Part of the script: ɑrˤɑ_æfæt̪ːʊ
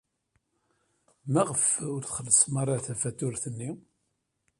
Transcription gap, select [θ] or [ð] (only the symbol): θ